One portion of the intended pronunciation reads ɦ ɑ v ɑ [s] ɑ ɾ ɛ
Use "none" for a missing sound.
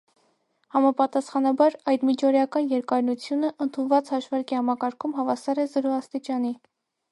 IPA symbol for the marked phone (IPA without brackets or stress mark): s